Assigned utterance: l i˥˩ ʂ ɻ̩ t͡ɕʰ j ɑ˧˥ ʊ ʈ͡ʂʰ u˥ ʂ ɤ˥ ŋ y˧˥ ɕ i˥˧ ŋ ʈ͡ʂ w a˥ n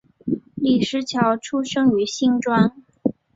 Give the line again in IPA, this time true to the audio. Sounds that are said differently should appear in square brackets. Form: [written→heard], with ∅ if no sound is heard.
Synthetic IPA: l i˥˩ ʂ ɻ̩ t͡ɕʰ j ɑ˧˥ ʊ ʈ͡ʂʰ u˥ ʂ ɤ˥ ŋ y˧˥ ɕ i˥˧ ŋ ʈ͡ʂ w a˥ n